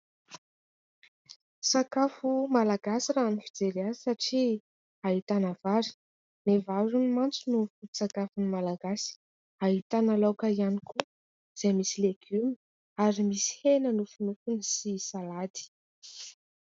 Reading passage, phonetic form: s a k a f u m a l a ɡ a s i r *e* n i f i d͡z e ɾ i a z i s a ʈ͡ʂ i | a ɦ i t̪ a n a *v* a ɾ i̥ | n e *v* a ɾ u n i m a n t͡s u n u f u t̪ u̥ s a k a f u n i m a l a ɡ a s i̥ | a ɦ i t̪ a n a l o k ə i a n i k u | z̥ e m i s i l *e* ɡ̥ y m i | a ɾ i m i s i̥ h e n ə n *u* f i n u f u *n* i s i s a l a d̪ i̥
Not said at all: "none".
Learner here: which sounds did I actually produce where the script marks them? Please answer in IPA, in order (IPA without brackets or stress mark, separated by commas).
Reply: a, v, v, e, u, n